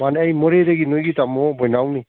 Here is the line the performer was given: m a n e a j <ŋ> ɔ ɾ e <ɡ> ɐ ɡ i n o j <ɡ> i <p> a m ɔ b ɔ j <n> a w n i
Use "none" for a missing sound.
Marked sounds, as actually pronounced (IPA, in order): m, d, ɡ, t, n

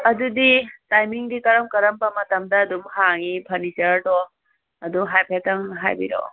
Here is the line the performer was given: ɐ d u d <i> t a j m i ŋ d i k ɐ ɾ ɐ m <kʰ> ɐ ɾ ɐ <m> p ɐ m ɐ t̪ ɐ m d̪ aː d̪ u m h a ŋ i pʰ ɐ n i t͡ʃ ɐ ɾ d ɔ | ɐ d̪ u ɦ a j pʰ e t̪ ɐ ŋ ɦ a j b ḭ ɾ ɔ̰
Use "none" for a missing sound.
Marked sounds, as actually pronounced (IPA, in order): i, k, m

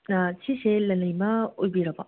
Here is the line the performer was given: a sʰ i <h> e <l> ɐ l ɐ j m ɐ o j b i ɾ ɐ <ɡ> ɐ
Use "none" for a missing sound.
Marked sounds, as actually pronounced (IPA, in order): s, l, b

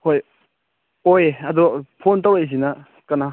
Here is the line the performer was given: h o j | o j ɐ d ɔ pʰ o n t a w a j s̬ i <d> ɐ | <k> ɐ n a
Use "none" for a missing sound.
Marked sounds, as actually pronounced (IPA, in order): n, k

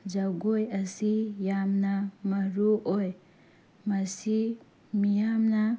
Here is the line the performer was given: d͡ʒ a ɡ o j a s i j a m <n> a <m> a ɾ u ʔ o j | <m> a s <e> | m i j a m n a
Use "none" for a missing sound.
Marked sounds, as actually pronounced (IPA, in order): n, m, m, i

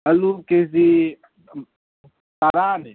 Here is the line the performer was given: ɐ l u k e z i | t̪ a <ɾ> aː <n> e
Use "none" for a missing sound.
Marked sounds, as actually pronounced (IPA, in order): ɾ, n

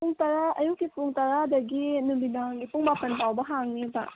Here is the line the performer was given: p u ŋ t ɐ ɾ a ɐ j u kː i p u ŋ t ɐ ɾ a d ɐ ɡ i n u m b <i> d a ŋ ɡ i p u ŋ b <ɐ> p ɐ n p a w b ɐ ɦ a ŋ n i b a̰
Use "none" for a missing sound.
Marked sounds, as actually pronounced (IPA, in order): i, a

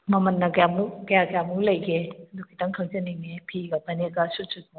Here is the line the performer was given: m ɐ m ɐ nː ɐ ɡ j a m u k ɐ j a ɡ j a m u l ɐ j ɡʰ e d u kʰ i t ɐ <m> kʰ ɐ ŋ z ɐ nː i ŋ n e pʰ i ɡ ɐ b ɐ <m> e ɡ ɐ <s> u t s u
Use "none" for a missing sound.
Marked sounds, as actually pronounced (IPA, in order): ŋ, n, s

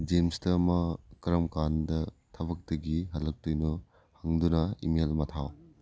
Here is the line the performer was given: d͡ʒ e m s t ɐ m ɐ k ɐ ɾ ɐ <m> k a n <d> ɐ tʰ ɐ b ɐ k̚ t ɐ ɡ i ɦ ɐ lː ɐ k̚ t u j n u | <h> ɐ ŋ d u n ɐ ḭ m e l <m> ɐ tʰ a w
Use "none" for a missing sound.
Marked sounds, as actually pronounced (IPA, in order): m, d, h, m

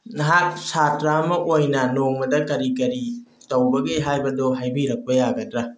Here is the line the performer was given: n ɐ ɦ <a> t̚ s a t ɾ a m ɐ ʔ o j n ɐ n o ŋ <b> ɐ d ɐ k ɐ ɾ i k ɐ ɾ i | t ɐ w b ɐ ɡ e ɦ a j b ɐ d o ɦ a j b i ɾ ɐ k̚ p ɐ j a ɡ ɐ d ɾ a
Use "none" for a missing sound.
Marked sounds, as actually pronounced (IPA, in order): a, m

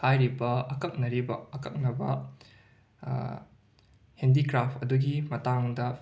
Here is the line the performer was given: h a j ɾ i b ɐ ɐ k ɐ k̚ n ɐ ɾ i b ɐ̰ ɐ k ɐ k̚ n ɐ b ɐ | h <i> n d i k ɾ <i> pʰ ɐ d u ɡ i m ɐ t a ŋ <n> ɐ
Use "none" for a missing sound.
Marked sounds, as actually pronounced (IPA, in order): e, a, d

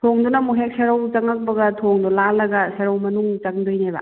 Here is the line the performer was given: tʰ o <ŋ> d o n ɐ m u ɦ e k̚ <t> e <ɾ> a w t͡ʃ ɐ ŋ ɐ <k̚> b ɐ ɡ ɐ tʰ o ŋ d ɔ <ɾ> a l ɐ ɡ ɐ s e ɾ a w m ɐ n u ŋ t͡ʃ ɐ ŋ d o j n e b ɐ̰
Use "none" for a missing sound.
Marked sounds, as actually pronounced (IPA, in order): ŋ, s, ɾ, k̚, l

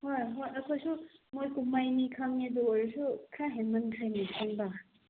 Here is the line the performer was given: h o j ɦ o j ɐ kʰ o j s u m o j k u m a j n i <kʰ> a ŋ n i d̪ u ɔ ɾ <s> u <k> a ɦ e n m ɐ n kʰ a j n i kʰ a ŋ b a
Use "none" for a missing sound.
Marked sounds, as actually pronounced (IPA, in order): kʰ, s, kʰ

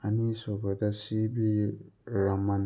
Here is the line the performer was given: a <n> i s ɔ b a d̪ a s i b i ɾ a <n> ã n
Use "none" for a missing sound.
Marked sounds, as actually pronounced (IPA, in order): n, m

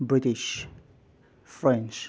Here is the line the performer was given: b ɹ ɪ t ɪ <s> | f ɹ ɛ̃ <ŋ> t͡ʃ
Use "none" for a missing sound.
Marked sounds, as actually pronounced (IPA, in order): ʃ, n

